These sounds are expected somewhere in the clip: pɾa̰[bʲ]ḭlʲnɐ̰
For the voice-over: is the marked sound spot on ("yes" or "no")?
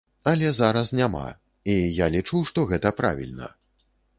no